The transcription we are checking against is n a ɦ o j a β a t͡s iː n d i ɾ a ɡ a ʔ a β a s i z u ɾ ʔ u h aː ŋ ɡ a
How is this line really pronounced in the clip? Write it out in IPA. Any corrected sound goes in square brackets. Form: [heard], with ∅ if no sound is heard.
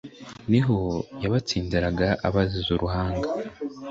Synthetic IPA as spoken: n [i] ɦ o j a β a t͡s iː n d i ɾ a ɡ a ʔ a β a [z] i z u ɾ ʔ u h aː ŋ ɡ a

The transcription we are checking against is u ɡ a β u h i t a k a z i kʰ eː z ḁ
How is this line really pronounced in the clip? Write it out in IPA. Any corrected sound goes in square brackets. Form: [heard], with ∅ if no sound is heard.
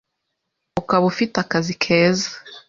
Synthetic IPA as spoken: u [k] a β u [f] i t a k a z i kʰ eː z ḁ

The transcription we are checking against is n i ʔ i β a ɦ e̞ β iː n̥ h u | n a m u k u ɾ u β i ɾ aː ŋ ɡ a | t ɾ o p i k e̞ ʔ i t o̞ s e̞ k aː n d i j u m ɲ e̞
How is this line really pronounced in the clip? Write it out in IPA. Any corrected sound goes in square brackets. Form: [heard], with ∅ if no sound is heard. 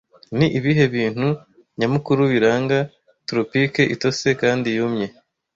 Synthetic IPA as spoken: n i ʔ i β [i] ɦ e̞ β iː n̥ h u | [ɲ] a m u k u ɾ u β i ɾ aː ŋ ɡ a | t ɾ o p i k e̞ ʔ i t o̞ s e̞ k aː n d i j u m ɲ e̞

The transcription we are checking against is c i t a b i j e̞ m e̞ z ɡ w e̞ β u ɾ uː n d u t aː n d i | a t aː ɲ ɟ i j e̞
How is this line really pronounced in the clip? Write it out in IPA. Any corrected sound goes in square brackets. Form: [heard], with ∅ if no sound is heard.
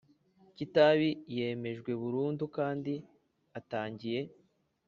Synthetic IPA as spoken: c i t a [β] i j e̞ m e̞ [ʒ] ɡ w e̞ β u ɾ uː n d u [k] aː n d i | a t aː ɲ ɟ i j e̞

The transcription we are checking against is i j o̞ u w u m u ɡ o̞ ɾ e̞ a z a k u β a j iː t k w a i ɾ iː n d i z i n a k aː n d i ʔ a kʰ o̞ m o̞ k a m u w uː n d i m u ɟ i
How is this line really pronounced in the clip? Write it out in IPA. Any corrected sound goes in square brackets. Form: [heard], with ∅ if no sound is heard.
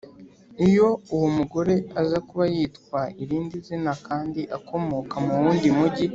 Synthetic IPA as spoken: i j o̞ u w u m u ɡ o̞ ɾ e̞ a z a k u β a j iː t k w a i ɾ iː n d i z i n a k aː n d i ʔ a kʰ o̞ m o̞ k a m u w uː n d i m u ɟ i

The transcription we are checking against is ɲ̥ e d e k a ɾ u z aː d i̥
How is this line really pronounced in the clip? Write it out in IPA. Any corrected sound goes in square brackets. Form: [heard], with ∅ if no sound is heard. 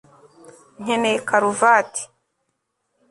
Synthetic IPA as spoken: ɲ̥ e [n] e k a ɾ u [v] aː [t] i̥

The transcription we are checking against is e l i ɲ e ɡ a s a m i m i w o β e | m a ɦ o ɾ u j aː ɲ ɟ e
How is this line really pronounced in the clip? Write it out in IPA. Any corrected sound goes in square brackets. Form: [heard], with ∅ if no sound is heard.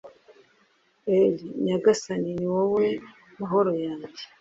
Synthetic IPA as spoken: e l i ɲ [a] ɡ a s a [n] i [n] i w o [w] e | m a ɦ o ɾ [o] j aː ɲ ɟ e

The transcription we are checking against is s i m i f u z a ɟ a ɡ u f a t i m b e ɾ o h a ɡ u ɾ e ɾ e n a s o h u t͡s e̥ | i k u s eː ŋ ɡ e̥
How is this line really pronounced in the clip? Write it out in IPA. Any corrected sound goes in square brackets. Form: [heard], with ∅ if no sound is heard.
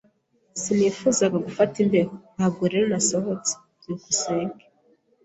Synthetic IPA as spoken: s i [n] i f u z a [ɡ] a ɡ u f a t i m b e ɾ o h a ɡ u ɾ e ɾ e n a s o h [o] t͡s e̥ | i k u s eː ŋ ɡ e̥

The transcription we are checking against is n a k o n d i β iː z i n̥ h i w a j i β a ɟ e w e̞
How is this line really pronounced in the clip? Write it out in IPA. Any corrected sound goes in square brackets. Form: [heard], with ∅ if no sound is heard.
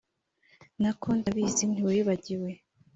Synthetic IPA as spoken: n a k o n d [a] β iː z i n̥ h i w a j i β a ɟ [i] w e̞

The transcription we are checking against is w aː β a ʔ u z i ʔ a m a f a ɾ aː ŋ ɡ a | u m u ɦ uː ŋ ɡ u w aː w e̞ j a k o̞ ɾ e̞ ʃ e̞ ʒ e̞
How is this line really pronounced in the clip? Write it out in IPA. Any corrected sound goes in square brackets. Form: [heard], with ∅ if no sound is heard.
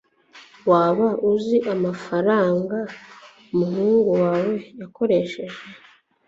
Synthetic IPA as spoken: w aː β a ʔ u z i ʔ a m a f a ɾ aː ŋ ɡ a | u m u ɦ uː ŋ ɡ u w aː w e̞ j a k o̞ ɾ e̞ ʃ e̞ ʒ e̞

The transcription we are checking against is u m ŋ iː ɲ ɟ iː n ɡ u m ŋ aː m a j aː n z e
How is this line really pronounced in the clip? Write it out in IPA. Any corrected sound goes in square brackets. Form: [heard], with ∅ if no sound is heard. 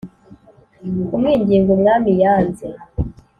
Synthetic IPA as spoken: u m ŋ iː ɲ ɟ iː [ŋ] ɡ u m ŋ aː m [i] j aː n z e

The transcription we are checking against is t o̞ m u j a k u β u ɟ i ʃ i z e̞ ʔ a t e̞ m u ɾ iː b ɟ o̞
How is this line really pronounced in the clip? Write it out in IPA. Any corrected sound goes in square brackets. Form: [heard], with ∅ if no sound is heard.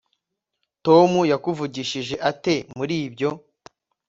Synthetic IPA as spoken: t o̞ m u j a k u [v] u ɟ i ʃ i [ʒ] e̞ ʔ a t e̞ m u ɾ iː b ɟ o̞

